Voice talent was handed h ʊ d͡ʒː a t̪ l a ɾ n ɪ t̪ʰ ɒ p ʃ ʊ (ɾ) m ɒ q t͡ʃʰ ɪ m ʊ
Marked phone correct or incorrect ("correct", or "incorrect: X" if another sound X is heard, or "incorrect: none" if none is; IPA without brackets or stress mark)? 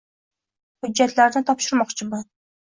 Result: correct